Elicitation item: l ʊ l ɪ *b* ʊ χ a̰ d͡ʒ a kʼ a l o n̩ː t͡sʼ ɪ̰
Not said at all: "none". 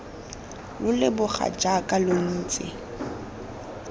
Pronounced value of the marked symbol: b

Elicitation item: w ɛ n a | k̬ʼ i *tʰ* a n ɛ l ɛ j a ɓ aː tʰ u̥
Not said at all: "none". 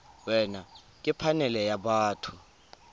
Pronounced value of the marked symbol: pʰ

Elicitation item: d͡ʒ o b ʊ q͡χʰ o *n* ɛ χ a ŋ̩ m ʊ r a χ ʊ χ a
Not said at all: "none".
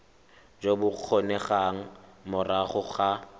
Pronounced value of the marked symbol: n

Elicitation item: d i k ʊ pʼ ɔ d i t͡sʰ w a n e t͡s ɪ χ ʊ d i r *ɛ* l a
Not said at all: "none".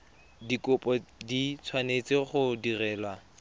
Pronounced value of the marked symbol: ɛː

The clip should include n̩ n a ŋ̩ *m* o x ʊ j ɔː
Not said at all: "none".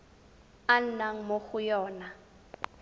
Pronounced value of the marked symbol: m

